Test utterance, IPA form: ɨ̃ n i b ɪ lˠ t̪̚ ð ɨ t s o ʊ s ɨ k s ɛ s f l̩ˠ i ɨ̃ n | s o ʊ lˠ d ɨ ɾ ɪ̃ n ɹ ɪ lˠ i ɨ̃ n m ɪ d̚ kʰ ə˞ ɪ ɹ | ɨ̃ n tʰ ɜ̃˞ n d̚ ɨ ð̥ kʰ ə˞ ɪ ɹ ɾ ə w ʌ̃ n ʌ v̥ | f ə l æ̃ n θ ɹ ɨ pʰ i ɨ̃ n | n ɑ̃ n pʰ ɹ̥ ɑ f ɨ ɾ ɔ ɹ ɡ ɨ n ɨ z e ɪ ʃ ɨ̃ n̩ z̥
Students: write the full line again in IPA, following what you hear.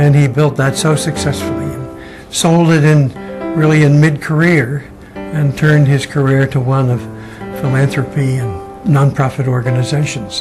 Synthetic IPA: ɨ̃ n i b ɪ lˠ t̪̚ ð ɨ t s o ʊ s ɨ k s ɛ s f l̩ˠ i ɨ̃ n | s o ʊ lˠ d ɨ ɾ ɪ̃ n ɹ ɪ lˠ i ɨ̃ n m ɪ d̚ kʰ ə˞ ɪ ɹ | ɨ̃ n tʰ ɜ̃˞ n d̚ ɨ z̥ kʰ ə˞ ɪ ɹ ɾ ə w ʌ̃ n ʌ v̥ | f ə l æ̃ n θ ɹ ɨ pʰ i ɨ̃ n | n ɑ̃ n pʰ ɹ̥ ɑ f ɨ ɾ ɔ ɹ ɡ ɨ n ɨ z e ɪ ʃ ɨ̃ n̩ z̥

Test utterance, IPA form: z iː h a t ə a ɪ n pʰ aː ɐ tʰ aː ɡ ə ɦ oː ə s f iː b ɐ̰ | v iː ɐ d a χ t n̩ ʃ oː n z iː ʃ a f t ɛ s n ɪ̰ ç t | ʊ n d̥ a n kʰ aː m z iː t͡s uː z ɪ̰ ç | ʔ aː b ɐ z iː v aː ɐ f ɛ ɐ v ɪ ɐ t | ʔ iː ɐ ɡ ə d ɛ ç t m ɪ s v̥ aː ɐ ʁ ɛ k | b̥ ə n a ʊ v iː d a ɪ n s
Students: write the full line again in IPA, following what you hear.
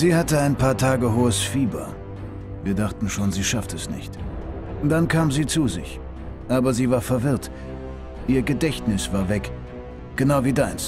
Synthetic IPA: z iː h a t ə a ɪ n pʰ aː ɐ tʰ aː ɡ ə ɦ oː ə s f iː b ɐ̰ | v iː ɐ d a χ t n̩ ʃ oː n z iː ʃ a f t ɛ s n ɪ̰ ç t | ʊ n d̥ a n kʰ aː m z iː t͡s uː z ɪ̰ ç | ʔ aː b ɐ z iː v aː ɐ f ɛ ɐ v ɪ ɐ t | ʔ iː ɐ ɡ ə d ɛ ç t n ɪ s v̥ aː ɐ v ɛ k | ɡ̥ ə n a ʊ v iː d a ɪ n s

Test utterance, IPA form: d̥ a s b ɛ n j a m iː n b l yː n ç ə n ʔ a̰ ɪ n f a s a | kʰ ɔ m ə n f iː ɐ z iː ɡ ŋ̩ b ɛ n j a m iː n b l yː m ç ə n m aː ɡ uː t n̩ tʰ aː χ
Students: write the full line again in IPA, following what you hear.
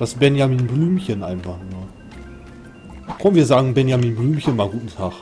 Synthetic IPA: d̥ a s b ɛ n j a m iː n b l yː m ç ə n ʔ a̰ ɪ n f a χ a | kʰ ɔ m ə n v iː ɐ z aː ɡ ŋ̩ b ɛ n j a m iː n b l yː m ç ə n m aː ɡ uː t n̩ tʰ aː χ

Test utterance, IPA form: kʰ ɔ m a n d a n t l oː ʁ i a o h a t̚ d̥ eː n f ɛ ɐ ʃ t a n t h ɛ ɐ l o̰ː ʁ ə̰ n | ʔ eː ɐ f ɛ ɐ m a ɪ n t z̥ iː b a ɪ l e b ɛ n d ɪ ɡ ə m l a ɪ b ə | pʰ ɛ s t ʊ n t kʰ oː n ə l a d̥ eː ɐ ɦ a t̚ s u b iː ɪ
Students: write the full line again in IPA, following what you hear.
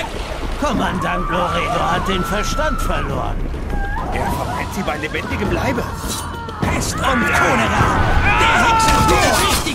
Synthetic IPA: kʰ ɔ m a n d a n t l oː ʁ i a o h a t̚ d̥ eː n f ɛ ɐ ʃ t a n t f ɛ ɐ l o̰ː ʁ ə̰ n | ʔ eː ɐ f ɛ ɐ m a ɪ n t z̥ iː b a ɪ l e b ɛ n d ɪ ɡ ə m l a ɪ b ə | pʰ ɛ s t ʊ n t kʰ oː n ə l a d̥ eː ɐ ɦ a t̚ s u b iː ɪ

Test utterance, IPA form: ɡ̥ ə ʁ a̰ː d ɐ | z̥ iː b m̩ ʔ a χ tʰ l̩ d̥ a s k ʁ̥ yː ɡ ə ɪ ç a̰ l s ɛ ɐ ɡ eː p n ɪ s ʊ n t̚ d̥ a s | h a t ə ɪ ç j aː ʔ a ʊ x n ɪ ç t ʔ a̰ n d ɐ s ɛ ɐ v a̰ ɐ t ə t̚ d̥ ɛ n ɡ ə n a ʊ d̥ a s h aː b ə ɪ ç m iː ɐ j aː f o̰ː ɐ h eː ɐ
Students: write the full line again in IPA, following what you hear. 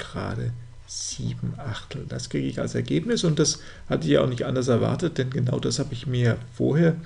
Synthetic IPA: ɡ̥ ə ʁ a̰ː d ə | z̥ iː b m̩ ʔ a χ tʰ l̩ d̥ a s k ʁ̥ iː ɡ ə ɪ ç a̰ l s ɛ ɐ ɡ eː p n ɪ s ʊ n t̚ d̥ a s | h a t ə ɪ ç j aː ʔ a ʊ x n ɪ ç t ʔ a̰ n d ɐ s ɛ ɐ v a̰ ɐ t ə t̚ d̥ ɛ n ɡ ə n a ʊ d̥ a s h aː b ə ɪ ç m iː ɐ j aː f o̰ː ɐ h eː ɐ

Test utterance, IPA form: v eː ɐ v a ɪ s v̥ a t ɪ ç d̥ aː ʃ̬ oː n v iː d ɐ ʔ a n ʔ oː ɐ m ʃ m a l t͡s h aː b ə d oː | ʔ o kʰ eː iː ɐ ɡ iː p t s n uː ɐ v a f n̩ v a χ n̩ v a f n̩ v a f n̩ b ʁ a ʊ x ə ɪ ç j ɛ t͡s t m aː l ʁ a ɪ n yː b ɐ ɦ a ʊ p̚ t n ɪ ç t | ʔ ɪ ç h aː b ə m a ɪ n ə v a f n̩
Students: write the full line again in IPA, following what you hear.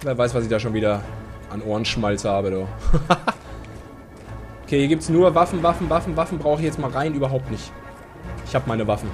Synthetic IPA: v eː ɐ v a ɪ s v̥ a s ɪ ç d̥ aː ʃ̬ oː n v iː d ɐ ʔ a n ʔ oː ɐ n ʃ m a l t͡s h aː b ə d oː | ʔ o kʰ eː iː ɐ ɡ iː p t s n uː ɐ v a f n̩ v a f n̩ v a f n̩ v a f n̩ b ʁ a ʊ x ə ɪ ç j ɛ t͡s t m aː l ʁ a ɪ n yː b ɐ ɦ a ʊ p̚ t n ɪ ç t | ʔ ɪ ç h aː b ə m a ɪ n ə v a f n̩

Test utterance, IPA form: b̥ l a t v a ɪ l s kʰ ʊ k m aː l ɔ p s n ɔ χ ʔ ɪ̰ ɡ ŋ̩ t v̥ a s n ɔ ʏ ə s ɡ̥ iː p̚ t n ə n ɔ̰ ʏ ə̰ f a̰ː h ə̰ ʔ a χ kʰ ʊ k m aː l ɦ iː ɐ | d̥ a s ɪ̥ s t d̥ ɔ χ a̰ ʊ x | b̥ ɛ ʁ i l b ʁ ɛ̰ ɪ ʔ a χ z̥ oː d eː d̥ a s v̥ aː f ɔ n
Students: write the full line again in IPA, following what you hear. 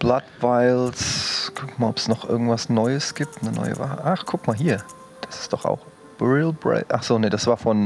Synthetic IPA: b̥ l a t v a ɪ l s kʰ ʊ k m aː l ɔ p s n ɔ χ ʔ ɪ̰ ɡ ŋ̩ t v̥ a s n ɔ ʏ ə s ɡ̥ iː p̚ t n ə n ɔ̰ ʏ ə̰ v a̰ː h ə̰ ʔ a χ kʰ ʊ k m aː l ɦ iː ɐ | d̥ a s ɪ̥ s t d̥ ɔ χ a̰ ʊ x | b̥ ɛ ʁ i l b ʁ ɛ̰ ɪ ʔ a χ z̥ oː n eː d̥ a s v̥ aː f ɔ n

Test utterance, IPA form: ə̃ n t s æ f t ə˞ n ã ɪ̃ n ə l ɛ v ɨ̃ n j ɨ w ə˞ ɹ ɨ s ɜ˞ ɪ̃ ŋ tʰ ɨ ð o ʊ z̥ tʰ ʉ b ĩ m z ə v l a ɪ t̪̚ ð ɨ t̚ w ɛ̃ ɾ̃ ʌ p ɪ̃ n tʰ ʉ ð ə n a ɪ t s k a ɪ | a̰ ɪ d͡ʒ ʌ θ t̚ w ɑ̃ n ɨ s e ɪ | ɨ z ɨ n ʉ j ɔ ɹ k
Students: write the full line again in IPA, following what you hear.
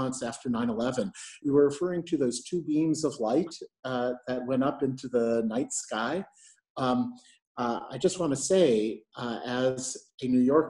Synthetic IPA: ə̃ n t s æ f t ə˞ n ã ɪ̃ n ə l ɛ v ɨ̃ n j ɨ w ə˞ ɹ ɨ f ɜ˞ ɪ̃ ŋ tʰ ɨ ð o ʊ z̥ tʰ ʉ b ĩ m z ʌ v l a ɪ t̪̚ ð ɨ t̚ w ɛ̃ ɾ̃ ʌ p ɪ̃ n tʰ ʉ ð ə n a ɪ t s k a ɪ | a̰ ɪ d͡ʒ ʌ s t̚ w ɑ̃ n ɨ s e ɪ | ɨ z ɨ n ʉ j ɔ ɹ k

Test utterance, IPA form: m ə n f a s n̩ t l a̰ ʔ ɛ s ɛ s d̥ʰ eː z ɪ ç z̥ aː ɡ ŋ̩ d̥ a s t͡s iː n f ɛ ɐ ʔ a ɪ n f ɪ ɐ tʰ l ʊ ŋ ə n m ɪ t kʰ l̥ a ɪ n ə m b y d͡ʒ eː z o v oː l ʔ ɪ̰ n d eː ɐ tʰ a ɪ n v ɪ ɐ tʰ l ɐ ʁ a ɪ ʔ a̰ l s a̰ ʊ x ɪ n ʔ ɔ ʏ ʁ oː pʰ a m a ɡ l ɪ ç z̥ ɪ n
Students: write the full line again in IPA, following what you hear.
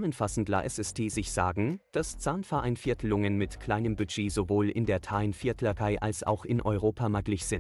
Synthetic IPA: m ə n f a s n̩ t l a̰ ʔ ɛ s ɛ s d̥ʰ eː z ɪ ç z̥ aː ɡ ŋ̩ d̥ a s t͡s aː n f ɛ ɐ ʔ a ɪ n f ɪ ɐ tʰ l ʊ ŋ ə n m ɪ t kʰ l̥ a ɪ n ə m b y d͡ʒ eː z o v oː l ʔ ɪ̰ n d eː ɐ tʰ a ɪ n f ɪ ɐ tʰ l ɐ ʁ a ɪ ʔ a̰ l s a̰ ʊ x ɪ n ʔ ɔ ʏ ʁ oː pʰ a m a ɡ l ɪ ç z̥ ɪ n

